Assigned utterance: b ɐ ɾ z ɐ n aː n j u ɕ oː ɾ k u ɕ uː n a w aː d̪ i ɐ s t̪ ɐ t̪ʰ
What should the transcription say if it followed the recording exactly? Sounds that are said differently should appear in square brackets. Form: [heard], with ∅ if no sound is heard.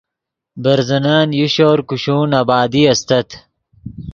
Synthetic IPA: b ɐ ɾ z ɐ n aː n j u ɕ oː ɾ k u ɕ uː n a [b] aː d̪ i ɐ s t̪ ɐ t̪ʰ